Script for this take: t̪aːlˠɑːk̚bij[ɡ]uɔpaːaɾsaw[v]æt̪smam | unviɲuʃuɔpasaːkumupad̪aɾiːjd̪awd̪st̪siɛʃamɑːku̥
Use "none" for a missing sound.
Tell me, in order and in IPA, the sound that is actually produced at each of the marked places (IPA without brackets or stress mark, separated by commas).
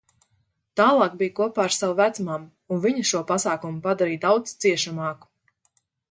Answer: k, v